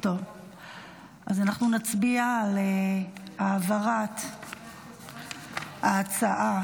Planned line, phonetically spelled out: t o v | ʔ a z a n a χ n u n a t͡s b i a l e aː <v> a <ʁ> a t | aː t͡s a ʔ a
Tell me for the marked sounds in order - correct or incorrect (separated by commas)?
correct, correct